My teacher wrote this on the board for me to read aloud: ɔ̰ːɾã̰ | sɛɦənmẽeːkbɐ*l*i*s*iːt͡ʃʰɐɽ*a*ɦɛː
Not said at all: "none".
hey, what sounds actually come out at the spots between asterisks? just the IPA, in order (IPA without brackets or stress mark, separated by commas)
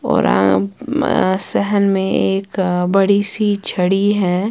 ɽ, s, i